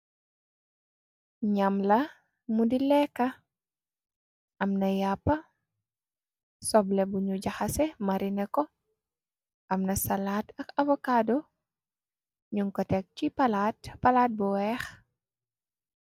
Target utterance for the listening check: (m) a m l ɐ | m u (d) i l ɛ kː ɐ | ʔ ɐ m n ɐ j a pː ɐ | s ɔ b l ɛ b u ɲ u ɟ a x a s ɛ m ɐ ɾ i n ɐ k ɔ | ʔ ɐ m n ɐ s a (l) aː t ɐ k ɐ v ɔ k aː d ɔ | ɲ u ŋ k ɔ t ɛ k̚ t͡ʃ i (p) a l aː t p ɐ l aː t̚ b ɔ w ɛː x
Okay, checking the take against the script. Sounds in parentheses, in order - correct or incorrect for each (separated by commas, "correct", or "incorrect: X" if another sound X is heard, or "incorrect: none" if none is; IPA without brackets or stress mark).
incorrect: ɲ, correct, correct, correct